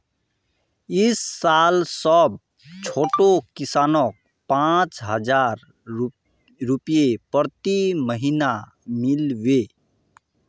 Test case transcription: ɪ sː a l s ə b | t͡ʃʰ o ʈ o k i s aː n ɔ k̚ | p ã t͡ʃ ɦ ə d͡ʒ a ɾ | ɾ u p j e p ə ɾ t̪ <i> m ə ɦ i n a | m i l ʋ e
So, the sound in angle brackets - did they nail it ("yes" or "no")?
yes